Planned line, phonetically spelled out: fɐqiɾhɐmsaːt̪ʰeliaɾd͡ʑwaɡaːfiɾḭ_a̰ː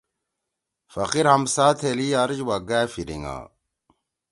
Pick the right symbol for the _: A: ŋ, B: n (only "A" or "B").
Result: A